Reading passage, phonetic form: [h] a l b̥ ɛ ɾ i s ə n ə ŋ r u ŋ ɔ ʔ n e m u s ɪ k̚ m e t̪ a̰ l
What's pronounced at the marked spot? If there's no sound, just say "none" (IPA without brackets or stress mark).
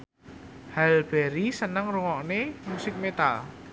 h